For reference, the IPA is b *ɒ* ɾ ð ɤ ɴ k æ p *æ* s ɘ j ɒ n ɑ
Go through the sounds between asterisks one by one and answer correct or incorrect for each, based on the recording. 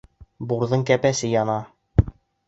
incorrect, correct

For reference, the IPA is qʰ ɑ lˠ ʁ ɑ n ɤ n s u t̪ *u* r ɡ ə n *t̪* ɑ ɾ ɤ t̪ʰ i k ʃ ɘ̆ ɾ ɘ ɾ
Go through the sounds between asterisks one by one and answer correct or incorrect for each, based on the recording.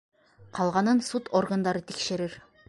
incorrect, incorrect

